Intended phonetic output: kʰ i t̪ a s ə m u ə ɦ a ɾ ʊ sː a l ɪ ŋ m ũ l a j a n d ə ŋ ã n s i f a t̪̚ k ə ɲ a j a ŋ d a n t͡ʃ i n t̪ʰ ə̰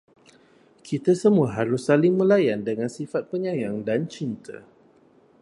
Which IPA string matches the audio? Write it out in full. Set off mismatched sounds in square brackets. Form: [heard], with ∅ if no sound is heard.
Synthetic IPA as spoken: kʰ i t̪ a s ə m u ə ɦ a ɾ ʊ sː a l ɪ ŋ m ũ l a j a n d ə ŋ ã n s i f a t̪̚ [p] ə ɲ a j a ŋ d a n t͡ʃ i n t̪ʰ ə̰